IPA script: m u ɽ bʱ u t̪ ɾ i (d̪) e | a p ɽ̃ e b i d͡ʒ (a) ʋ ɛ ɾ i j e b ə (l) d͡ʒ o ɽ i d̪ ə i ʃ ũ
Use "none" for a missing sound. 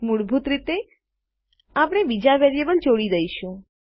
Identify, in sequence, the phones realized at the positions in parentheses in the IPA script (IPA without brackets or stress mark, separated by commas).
t̪, a, l